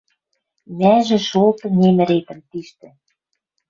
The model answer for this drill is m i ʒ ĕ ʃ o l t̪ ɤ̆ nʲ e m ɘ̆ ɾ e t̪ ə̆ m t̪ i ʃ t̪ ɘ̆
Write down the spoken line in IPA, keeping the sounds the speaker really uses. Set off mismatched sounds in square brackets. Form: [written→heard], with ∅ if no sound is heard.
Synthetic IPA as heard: m [i→æ] ʒ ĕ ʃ o l t̪ ɤ̆ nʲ e m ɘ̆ ɾ e t̪ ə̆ m t̪ i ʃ t̪ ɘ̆